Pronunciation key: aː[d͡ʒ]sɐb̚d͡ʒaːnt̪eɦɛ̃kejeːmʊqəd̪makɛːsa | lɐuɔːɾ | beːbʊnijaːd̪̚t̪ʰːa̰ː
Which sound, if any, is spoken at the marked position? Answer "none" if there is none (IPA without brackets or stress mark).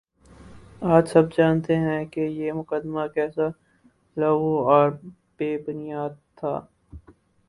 d͡ʒ